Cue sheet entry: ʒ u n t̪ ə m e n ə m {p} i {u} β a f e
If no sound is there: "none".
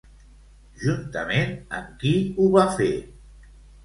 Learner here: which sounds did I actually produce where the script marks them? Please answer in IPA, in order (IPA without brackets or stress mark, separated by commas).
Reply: k, u